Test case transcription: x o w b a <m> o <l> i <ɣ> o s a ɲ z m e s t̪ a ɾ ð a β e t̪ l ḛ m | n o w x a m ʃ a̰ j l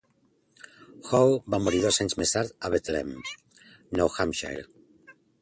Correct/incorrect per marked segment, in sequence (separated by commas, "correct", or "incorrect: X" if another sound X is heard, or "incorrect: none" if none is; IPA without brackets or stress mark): correct, incorrect: ɾ, incorrect: ð